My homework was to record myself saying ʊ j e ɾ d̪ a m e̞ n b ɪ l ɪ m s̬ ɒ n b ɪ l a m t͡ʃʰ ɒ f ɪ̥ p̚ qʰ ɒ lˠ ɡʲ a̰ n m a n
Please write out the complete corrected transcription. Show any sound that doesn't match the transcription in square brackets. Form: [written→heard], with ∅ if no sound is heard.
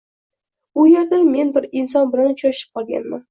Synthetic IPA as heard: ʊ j e ɾ d̪ a m e̞ n b ɪ [l→ɾ] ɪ [m→n] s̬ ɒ n b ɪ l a [m→n] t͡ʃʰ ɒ [f→ʃ] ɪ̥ p̚ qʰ ɒ lˠ ɡʲ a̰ n m a n